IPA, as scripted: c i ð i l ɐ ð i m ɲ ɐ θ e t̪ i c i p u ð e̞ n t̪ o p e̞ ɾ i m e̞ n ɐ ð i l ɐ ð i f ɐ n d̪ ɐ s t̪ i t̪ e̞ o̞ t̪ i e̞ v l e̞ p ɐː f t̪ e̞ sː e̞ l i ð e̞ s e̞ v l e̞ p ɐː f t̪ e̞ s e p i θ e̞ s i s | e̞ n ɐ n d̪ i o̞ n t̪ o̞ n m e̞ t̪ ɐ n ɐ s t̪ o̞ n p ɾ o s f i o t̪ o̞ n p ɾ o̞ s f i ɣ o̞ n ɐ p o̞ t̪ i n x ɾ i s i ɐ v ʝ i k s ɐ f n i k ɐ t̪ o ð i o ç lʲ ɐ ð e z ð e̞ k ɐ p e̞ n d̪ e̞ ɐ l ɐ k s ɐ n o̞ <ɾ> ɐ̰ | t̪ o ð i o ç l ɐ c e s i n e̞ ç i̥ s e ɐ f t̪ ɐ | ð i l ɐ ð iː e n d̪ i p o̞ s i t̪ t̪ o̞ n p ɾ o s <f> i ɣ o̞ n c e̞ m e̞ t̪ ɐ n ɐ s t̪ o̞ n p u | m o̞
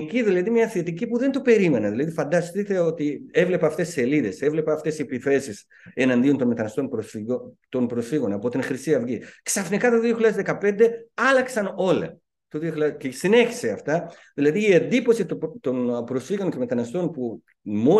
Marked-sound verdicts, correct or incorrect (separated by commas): incorrect, correct